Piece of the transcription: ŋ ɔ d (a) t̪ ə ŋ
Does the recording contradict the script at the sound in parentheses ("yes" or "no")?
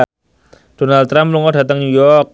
no